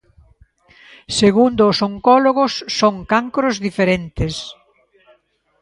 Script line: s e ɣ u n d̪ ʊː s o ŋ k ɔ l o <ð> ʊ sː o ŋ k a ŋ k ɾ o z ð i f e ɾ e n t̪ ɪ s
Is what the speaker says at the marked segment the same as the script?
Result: no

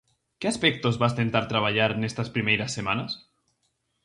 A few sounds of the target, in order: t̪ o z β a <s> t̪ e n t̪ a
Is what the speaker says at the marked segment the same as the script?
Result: yes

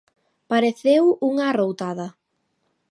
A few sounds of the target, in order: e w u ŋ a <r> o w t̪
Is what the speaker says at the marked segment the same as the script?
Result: yes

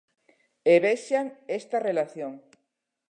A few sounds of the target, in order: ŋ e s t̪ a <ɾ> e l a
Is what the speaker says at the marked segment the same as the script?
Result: no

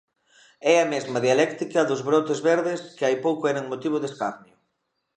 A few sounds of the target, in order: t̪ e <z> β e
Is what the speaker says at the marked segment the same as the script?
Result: yes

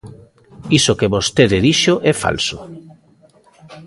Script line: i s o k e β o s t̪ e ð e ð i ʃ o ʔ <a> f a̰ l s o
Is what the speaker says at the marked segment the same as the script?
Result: no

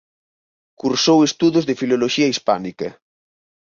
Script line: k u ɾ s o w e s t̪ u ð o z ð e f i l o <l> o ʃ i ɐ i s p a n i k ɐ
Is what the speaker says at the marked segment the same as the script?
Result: yes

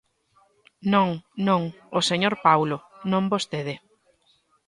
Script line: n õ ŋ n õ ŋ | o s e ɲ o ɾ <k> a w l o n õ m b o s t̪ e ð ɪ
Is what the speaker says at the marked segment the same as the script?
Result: no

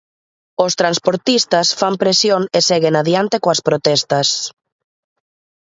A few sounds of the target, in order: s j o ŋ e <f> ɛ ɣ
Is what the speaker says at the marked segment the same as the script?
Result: no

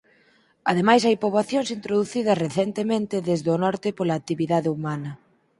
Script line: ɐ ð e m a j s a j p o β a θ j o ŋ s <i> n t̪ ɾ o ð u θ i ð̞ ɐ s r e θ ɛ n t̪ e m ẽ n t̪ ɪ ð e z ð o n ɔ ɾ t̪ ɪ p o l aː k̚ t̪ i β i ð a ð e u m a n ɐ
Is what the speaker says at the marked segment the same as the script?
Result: yes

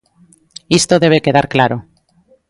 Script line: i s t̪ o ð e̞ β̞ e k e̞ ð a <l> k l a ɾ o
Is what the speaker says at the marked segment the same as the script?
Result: no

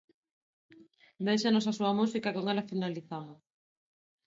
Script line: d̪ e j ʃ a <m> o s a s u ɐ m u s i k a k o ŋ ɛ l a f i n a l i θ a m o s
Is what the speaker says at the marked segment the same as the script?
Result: no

